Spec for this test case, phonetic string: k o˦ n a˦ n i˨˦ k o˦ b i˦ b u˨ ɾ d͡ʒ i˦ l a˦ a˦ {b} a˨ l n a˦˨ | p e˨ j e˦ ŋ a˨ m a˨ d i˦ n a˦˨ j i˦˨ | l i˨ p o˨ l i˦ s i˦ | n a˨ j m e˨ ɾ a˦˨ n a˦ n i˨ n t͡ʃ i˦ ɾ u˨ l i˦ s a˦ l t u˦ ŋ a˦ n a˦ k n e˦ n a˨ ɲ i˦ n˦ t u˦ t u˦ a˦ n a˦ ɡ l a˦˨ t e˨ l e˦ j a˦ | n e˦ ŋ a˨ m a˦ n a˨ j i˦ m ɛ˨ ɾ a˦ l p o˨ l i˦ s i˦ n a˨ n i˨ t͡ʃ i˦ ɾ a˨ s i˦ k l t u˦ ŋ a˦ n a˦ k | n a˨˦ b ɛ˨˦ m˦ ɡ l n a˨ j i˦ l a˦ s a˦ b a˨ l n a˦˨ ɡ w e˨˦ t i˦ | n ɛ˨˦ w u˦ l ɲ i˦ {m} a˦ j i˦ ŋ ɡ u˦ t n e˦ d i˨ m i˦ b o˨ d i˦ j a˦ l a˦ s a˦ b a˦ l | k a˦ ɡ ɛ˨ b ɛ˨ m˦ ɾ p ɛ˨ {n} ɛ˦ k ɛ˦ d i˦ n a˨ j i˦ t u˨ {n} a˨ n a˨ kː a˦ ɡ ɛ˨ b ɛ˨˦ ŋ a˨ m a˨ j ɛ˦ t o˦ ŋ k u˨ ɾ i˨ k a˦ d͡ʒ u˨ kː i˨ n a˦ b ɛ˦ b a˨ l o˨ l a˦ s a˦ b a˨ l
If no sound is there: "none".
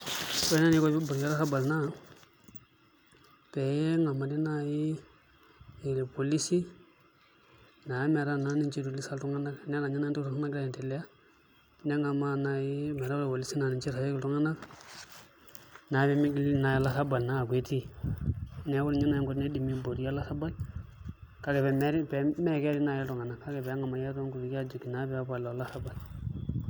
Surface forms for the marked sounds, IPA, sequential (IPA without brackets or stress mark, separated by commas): b, n, m, ŋ